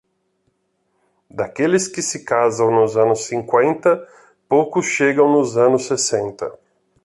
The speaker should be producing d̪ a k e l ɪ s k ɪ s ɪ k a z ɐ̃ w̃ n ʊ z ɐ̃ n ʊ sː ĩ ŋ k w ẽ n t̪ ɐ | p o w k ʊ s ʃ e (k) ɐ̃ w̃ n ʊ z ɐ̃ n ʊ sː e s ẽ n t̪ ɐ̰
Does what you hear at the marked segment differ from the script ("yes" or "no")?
yes